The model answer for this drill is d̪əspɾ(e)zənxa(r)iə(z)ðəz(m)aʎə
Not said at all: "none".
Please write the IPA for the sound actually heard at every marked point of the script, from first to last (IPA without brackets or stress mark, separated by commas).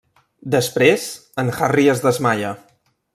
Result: e, r, z, m